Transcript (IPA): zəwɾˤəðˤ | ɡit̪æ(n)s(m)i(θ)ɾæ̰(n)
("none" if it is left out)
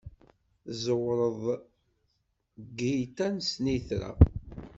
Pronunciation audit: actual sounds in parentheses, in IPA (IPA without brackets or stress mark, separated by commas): n, n, θ, none